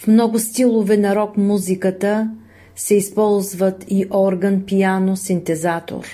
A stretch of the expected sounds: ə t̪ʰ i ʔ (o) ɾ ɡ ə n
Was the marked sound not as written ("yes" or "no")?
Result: yes